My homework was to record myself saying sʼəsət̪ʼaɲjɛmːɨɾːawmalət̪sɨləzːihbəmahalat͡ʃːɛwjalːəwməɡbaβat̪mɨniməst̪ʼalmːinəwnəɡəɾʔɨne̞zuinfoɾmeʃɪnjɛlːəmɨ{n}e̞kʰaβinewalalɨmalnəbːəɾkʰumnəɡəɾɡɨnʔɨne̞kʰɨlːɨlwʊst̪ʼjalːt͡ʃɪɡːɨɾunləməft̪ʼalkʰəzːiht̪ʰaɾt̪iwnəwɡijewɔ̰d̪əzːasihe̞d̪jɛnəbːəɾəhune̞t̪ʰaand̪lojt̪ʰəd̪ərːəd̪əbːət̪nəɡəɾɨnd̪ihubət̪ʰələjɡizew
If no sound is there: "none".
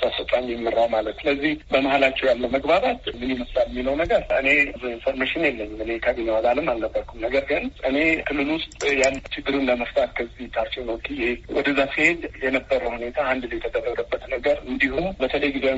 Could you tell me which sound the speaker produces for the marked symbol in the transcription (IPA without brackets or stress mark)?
n